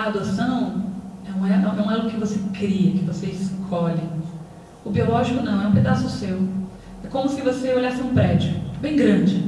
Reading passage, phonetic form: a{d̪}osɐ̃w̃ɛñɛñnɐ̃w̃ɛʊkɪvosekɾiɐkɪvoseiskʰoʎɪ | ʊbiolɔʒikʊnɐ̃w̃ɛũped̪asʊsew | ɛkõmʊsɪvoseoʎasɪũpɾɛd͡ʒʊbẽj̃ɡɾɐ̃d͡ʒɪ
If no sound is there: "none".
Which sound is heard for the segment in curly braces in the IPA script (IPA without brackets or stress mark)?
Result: d̪